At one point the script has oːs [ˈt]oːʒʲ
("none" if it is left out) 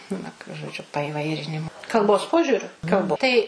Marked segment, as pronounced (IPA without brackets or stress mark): p